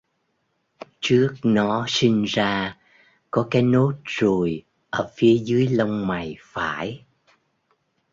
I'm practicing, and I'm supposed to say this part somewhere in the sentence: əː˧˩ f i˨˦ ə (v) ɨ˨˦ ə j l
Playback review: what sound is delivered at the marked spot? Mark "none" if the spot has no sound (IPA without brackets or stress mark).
z